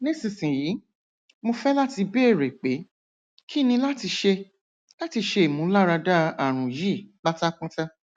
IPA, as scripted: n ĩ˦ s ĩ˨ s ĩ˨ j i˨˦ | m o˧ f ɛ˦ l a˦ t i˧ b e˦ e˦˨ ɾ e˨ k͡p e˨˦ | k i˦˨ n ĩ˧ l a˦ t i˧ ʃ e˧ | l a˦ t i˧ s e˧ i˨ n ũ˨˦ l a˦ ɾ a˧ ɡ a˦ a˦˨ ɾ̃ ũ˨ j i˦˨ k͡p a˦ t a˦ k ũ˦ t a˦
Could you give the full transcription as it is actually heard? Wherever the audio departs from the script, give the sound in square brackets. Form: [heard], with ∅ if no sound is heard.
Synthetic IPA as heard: n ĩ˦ s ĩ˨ s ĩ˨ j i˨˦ | m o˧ f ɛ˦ l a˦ t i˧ b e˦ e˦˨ ɾ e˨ k͡p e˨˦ | k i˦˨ n ĩ˧ l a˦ t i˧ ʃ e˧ | l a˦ t i˧ [ʃ] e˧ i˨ [m] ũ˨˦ l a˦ ɾ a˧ [d] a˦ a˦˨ ɾ̃ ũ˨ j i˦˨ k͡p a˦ t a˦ k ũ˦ t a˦